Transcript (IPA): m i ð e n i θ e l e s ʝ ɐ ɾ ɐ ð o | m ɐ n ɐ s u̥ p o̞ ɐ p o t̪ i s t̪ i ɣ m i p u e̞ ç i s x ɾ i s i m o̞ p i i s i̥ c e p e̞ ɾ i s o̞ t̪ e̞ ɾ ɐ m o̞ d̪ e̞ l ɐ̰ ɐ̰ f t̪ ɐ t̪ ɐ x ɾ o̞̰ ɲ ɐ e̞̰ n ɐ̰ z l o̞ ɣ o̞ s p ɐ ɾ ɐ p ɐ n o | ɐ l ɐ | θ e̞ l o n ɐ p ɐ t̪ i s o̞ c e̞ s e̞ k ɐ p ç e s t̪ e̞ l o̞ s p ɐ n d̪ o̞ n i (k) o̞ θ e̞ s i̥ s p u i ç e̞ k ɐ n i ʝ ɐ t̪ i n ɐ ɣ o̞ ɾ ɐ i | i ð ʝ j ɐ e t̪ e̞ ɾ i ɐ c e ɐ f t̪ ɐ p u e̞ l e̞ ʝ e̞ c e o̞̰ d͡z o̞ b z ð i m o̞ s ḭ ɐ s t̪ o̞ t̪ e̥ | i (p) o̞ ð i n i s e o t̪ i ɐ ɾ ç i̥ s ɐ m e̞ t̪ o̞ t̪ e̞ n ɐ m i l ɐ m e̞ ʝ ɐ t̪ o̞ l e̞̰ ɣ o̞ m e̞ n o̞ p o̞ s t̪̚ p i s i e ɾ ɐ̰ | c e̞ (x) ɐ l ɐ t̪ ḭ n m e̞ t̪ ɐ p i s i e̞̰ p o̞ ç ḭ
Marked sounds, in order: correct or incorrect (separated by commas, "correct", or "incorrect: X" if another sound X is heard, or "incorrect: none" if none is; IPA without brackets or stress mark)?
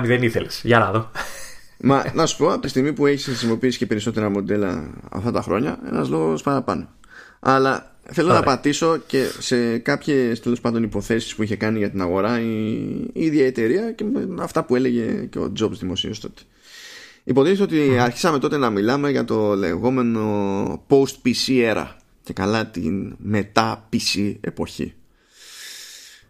incorrect: p, correct, incorrect: k